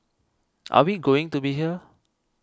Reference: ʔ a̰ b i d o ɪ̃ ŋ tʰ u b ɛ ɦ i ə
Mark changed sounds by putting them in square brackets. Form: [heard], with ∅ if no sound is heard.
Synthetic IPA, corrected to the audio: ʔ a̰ [w] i [ɡ] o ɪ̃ ŋ [t] u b [i] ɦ i ə